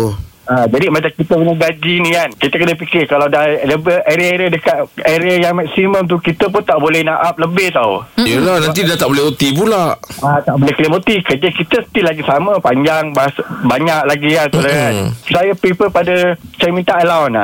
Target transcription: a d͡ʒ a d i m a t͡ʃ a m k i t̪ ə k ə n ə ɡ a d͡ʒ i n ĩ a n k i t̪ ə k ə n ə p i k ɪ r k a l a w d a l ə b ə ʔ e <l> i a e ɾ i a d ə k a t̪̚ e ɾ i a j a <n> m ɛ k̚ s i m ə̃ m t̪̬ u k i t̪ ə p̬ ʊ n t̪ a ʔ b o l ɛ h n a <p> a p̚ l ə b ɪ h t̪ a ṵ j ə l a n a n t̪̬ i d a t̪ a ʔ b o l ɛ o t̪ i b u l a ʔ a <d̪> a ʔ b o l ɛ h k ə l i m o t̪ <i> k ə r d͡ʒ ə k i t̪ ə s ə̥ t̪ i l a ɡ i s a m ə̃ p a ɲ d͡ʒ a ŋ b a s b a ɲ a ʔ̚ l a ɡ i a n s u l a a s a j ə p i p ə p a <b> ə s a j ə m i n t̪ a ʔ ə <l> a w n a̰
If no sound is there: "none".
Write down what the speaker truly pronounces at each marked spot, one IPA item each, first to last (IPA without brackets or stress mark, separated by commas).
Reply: ɾ, ŋ, ʔ, t̪, i, d, l